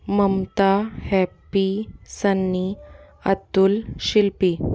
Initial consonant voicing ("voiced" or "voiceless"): voiced